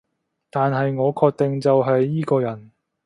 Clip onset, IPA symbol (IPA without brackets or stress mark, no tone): t̪